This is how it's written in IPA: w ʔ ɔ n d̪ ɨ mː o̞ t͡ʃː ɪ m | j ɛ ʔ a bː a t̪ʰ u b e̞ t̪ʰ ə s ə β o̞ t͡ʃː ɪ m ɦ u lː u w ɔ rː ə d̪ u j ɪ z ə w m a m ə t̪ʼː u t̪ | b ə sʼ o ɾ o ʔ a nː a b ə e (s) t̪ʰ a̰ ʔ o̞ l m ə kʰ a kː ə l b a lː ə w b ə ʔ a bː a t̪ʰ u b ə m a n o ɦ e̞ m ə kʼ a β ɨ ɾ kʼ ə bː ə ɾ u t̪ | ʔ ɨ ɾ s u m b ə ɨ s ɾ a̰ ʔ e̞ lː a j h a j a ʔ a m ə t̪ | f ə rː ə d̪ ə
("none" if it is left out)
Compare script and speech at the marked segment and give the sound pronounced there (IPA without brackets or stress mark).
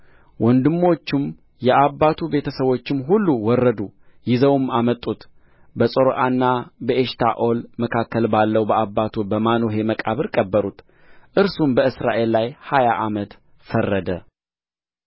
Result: ʃ